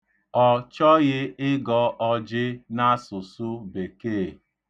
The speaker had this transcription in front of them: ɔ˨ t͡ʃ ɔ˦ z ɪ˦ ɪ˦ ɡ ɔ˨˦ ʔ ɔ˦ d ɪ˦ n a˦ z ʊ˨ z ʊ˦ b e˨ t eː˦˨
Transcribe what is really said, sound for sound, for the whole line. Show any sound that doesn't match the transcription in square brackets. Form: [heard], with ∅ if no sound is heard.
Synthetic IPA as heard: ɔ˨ t͡ʃ ɔ˦ [ɣ] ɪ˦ ɪ˦ ɡ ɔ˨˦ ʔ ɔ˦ [d͡ʒ] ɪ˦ n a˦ [s] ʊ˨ [s] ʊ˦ b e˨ [k] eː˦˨